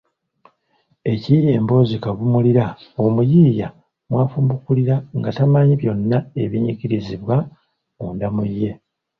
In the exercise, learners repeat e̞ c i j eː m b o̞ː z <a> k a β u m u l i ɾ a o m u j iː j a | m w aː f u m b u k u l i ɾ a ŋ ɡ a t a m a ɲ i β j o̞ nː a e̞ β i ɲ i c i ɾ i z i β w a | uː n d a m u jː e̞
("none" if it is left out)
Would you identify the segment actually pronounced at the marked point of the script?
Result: i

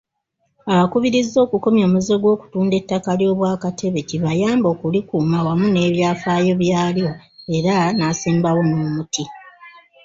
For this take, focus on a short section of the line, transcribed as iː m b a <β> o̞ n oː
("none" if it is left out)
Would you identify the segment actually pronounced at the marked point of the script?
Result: w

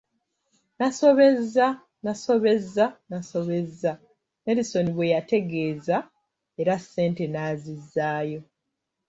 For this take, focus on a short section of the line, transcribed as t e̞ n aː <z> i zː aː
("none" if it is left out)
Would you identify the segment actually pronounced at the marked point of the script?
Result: z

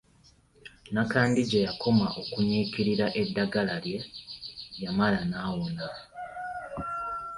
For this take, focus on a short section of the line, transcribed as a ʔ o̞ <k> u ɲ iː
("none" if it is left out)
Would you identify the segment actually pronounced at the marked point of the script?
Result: k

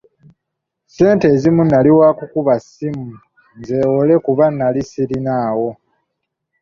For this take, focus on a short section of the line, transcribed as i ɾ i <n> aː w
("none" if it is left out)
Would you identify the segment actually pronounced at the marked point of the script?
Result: n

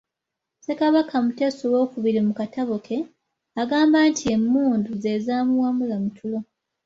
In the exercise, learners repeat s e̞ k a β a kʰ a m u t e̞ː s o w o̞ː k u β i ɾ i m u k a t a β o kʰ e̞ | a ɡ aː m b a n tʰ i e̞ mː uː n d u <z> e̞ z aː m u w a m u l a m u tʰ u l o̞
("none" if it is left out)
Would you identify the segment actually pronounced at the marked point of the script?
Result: z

